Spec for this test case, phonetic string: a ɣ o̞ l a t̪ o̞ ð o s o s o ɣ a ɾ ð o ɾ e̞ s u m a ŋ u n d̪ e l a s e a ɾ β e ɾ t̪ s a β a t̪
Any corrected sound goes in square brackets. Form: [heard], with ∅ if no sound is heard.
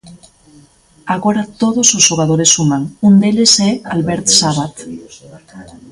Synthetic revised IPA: a ɣ o̞ [ɾ] a t̪ o̞ ð o s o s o ɣ a [∅] ð o ɾ e̞ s u m a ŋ u n d̪ e l [e] s e a [l] β e ɾ t̪ s a β a t̪